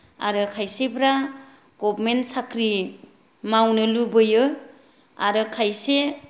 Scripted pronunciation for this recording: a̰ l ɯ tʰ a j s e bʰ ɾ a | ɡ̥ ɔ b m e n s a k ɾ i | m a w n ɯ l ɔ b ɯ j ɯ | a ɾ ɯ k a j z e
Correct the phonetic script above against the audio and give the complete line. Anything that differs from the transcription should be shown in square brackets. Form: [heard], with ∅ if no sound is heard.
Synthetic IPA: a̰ [ɾ] ɯ [kʰ] a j s e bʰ ɾ a | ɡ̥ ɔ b m e n s a k ɾ i | m a w n ɯ l [u] b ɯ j ɯ | a ɾ ɯ [kʰ] a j [s] e